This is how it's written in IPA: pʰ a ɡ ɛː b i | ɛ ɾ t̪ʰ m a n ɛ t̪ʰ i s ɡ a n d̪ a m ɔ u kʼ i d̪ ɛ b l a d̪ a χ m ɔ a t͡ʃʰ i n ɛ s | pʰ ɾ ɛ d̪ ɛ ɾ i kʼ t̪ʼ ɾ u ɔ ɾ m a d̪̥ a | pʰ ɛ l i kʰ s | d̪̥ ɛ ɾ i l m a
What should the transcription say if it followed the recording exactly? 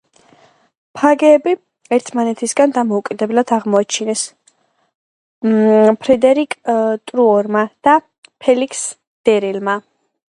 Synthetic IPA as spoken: pʰ a ɡ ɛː b i | ɛ ɾ t̪ʰ m a n ɛ t̪ʰ i s ɡ a n d̪ a m ɔ u kʼ i d̪ ɛ b l a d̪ a ʁ m ɔ a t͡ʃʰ i n ɛ s | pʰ ɾ ɛ d̪ ɛ ɾ i kʼ t̪ʼ ɾ u ɔ ɾ m a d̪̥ a | pʰ ɛ l i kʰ s | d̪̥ ɛ ɾ i l m a